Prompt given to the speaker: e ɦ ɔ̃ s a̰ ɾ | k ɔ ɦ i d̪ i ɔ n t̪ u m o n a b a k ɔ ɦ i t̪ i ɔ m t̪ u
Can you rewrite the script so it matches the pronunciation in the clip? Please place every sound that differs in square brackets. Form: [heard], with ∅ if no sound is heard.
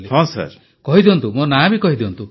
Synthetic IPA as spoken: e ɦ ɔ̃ s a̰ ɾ | k ɔ ɦ i d̪ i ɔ n t̪ u m o n a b [i] k ɔ ɦ i [d̪] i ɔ [n] t̪ u